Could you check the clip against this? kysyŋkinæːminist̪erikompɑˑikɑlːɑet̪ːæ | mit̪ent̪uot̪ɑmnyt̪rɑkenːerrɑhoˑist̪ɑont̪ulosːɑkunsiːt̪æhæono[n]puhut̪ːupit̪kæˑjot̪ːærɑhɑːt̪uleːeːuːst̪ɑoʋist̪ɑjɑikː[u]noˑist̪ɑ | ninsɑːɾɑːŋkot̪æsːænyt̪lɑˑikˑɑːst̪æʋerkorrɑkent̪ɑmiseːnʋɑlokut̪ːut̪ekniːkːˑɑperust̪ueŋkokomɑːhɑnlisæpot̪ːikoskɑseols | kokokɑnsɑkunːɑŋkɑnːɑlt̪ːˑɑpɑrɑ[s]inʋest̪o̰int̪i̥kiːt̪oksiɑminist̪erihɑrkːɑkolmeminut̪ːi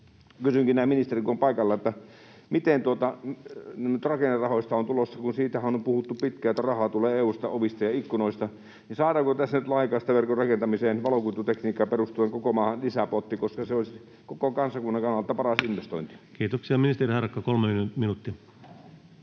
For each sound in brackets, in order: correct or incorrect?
incorrect: m, correct, correct

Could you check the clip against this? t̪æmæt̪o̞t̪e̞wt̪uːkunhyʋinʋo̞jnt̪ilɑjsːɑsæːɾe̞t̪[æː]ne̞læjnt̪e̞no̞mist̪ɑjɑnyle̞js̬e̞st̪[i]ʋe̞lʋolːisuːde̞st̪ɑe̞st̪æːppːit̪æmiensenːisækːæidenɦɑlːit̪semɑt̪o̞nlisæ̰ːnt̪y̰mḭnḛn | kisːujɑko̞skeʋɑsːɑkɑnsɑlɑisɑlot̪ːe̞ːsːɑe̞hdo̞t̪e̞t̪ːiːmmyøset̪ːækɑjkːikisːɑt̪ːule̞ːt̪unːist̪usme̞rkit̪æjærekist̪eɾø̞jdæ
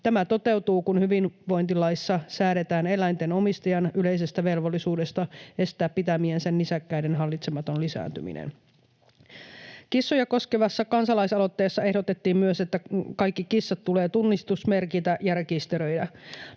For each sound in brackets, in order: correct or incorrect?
correct, incorrect: æ

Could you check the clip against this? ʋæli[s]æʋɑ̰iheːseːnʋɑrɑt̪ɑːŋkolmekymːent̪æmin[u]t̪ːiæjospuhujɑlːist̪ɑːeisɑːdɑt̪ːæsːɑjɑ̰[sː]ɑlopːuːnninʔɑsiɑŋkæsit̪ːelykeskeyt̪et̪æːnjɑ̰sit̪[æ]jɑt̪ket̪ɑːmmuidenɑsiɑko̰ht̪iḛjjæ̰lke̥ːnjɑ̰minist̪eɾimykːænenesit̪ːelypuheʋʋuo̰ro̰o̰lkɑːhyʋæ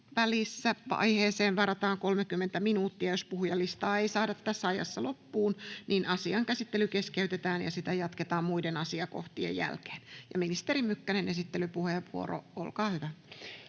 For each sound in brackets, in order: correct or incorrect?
incorrect: sː, incorrect: uː, correct, correct

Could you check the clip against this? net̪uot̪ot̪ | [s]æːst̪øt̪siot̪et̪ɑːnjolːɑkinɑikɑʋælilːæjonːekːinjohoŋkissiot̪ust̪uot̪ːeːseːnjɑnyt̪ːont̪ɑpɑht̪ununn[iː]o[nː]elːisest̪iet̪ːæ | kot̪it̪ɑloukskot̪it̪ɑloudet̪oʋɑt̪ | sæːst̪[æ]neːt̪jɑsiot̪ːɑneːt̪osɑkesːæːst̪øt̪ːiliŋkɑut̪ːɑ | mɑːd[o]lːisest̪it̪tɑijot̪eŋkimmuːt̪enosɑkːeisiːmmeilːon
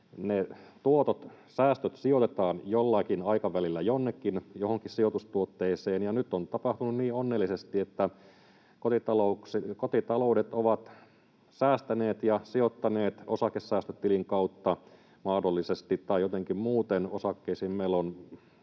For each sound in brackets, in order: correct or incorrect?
correct, correct, correct, correct, correct

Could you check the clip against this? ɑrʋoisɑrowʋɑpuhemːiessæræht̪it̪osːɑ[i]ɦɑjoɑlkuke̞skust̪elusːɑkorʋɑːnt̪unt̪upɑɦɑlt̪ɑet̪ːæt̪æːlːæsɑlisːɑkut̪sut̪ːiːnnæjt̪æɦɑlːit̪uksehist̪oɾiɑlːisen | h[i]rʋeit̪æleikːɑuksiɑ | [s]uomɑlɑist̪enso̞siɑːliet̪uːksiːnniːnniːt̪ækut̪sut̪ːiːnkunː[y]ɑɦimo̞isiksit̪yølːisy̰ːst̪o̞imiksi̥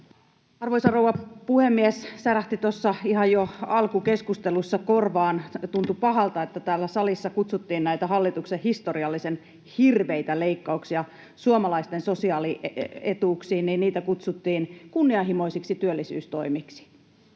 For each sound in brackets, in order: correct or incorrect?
correct, correct, correct, incorrect: i

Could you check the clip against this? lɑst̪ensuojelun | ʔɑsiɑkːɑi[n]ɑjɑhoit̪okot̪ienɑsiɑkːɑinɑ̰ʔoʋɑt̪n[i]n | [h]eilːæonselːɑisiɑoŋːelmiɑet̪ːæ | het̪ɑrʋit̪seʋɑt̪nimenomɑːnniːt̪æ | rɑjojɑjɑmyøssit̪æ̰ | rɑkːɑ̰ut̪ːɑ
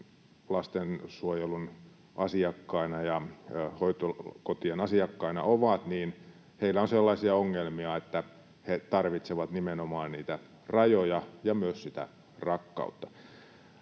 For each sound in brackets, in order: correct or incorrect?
correct, incorrect: iː, correct

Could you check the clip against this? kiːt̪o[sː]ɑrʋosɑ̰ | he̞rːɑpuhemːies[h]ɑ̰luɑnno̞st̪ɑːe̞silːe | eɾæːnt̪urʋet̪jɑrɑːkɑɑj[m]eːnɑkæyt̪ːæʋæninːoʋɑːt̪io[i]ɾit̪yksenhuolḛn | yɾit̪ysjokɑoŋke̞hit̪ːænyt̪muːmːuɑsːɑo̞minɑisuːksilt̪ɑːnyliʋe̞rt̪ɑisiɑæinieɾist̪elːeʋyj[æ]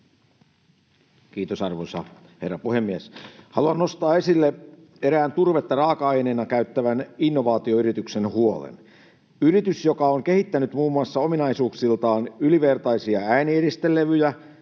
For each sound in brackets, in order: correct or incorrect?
incorrect: s, correct, incorrect: n, incorrect: y, correct

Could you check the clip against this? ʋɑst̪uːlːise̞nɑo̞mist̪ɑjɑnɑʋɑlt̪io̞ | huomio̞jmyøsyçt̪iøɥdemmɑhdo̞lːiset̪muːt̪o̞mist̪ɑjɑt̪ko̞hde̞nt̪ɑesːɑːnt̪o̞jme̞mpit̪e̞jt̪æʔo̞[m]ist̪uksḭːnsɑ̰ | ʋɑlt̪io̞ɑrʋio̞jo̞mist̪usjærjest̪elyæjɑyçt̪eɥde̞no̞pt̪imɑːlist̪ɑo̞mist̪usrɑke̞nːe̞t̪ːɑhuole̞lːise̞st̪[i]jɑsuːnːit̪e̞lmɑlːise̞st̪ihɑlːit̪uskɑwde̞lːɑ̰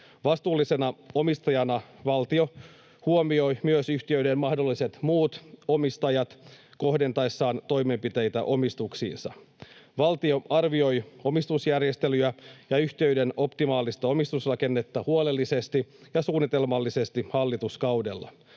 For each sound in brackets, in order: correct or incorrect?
correct, correct

